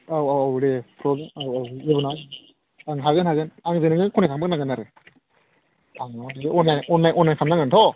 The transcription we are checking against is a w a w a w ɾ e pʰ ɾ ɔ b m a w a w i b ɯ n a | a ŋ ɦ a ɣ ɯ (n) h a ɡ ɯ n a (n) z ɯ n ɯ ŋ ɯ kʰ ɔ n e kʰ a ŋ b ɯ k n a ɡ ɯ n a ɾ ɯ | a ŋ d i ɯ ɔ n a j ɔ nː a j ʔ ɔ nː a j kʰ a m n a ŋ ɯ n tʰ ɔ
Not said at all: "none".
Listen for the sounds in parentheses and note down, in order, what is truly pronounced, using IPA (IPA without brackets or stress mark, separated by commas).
n, ŋ